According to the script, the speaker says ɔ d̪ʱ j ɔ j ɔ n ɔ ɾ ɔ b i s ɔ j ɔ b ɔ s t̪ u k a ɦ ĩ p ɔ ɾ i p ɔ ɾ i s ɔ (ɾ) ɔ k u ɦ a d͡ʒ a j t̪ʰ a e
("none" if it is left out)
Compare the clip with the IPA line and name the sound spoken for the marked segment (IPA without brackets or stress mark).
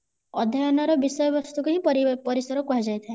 ɾ